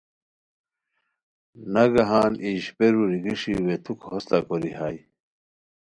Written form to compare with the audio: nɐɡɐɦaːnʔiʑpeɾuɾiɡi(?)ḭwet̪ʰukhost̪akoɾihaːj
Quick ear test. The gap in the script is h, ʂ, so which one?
ʂ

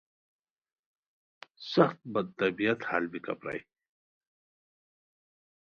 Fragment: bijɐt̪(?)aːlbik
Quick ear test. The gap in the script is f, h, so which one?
h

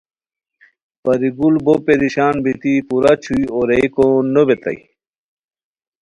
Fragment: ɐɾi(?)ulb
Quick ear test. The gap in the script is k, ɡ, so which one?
ɡ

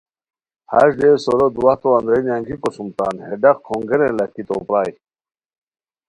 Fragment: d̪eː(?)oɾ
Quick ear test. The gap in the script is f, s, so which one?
s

